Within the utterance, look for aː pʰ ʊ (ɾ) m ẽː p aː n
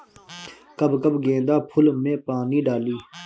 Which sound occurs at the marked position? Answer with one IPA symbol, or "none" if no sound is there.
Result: l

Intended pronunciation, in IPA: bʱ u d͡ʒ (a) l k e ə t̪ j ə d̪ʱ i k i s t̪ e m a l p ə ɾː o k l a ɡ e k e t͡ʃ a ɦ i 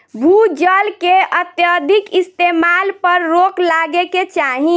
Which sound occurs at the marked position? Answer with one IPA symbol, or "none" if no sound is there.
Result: ə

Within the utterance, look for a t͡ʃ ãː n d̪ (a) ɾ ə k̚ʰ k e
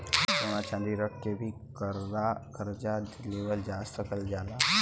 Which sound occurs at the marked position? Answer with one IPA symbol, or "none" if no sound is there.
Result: i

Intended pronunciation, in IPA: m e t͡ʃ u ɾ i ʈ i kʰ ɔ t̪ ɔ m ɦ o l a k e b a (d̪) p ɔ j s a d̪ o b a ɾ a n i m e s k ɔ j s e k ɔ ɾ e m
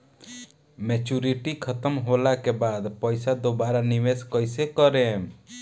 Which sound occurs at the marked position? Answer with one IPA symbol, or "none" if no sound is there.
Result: d̪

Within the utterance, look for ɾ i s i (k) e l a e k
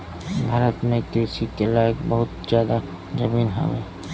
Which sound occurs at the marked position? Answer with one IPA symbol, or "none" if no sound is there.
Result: k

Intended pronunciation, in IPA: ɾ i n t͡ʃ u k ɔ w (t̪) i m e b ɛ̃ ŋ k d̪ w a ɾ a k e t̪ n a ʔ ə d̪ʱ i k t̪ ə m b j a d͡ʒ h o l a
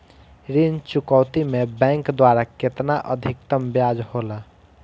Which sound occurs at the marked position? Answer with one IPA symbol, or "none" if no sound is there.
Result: t̪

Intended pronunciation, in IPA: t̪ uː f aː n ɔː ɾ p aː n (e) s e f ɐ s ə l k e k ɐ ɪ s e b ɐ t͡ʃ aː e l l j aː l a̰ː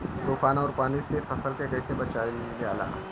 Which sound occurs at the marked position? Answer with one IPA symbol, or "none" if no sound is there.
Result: i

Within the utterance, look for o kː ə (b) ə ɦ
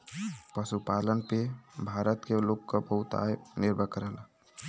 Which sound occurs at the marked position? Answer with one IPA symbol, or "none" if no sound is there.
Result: b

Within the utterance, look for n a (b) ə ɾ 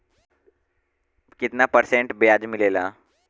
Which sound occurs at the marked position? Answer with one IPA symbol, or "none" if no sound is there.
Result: p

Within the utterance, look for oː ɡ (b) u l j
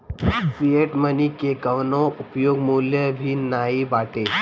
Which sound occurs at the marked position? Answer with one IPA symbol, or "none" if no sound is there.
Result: m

